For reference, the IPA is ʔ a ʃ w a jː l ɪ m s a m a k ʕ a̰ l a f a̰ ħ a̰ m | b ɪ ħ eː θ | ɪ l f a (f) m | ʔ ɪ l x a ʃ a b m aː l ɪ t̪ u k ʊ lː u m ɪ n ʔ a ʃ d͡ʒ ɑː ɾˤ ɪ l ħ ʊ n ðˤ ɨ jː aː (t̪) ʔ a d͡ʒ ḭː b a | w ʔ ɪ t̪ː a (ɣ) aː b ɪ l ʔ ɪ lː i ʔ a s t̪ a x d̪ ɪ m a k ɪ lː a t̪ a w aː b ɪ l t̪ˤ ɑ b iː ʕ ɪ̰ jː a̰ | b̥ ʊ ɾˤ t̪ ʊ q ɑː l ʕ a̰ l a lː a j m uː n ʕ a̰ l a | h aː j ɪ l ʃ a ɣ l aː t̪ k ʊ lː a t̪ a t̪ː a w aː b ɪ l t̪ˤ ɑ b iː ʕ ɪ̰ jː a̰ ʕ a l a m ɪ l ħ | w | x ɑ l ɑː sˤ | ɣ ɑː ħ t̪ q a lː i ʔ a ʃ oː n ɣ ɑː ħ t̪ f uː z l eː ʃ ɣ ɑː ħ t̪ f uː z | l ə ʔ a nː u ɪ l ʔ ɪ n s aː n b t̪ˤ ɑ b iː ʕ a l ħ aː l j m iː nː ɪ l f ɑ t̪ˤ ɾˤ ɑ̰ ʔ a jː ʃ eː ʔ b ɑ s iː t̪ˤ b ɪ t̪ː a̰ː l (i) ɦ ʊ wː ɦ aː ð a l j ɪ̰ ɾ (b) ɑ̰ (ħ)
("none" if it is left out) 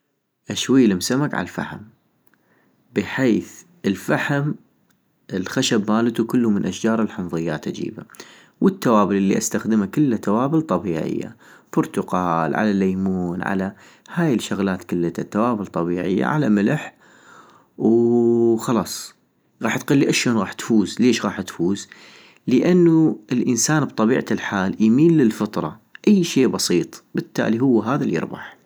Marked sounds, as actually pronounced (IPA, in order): ħ, t̪, w, i, b, ħ

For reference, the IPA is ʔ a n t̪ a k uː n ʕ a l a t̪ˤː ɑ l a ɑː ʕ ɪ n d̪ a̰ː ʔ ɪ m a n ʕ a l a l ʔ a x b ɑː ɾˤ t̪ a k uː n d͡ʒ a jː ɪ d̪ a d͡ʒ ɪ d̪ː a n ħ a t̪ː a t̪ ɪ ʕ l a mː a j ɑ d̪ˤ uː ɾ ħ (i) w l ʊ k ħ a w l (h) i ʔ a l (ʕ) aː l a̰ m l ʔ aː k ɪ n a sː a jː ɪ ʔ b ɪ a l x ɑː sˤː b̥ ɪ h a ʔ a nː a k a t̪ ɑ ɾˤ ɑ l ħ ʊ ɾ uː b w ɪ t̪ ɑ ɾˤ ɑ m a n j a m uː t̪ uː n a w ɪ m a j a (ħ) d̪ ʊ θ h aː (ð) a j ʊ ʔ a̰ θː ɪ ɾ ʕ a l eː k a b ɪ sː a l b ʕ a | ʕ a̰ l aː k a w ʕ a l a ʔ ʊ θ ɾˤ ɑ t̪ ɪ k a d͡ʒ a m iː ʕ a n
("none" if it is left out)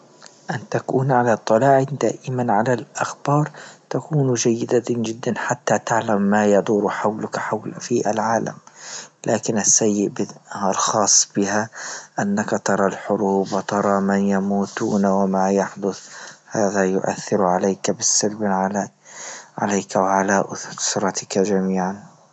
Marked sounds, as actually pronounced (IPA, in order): a, f, ʕ, ħ, ð

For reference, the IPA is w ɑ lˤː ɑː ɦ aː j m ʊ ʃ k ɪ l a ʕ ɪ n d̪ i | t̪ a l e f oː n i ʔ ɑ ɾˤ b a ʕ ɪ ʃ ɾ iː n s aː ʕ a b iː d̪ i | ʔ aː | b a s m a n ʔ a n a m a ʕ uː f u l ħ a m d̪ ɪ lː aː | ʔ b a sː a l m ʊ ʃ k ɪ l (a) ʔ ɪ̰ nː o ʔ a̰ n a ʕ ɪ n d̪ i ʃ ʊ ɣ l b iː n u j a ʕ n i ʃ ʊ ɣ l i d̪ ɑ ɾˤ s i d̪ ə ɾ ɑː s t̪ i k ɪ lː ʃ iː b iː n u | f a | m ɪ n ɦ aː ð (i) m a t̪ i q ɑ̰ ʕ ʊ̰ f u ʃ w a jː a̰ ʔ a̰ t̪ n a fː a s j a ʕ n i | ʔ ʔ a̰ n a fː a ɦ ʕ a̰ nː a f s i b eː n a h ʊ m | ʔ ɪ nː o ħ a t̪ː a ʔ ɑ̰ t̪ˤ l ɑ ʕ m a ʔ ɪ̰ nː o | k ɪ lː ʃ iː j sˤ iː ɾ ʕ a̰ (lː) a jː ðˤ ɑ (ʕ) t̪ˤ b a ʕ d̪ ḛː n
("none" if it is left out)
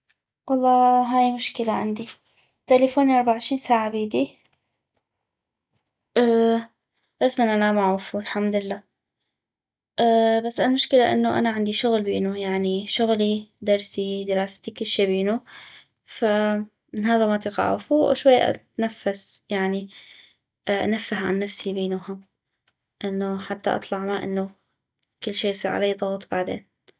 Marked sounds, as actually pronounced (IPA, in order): a, a, l, ɣ

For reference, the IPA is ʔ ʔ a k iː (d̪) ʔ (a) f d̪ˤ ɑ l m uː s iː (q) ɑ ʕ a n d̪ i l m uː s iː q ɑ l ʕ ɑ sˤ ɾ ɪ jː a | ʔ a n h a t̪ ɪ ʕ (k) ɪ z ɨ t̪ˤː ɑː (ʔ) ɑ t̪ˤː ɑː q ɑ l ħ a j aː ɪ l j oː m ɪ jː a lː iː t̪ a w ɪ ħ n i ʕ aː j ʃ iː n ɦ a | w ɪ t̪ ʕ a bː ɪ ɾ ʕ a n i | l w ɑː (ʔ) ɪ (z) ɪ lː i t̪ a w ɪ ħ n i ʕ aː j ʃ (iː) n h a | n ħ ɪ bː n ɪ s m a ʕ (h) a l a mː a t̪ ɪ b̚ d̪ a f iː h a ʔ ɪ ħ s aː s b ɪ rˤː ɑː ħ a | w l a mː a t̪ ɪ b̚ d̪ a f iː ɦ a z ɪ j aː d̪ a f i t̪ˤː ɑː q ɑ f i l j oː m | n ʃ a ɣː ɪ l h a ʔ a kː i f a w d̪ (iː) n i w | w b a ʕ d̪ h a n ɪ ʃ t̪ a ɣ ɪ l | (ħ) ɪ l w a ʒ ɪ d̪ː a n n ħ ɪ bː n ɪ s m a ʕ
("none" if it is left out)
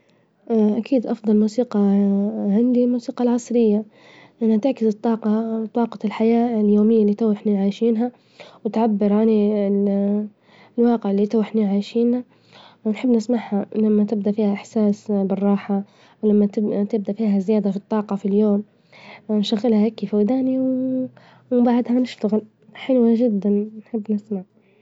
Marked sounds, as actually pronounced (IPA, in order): d̪, ɑ, q, k, q, q, ʕ, iː, h, aː, ħ

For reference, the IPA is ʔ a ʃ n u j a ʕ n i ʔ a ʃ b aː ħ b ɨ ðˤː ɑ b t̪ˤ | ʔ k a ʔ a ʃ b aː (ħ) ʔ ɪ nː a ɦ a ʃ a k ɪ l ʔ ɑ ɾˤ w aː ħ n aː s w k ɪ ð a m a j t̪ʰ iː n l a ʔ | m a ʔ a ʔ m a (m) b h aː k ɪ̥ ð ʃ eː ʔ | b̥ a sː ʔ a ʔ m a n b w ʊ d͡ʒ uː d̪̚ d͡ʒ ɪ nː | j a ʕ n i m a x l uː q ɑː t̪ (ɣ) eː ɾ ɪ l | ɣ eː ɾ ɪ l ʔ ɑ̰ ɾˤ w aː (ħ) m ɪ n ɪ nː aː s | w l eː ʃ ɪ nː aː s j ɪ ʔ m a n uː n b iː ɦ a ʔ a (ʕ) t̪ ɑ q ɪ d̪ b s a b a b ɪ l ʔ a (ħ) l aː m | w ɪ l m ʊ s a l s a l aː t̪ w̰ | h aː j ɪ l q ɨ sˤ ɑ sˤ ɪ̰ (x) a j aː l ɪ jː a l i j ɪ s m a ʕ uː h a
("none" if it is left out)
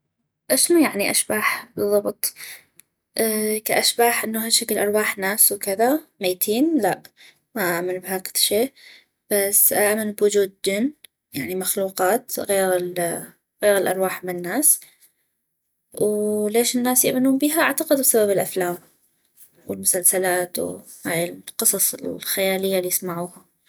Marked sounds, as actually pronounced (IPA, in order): ħ, n, ɣ, ħ, ʕ, f, x

